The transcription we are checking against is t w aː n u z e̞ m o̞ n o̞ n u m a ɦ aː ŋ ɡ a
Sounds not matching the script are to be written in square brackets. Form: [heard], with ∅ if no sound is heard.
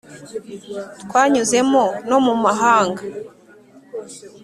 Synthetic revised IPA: t w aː [ɲ] u z e̞ m o̞ n o̞ [m] u m a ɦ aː ŋ ɡ a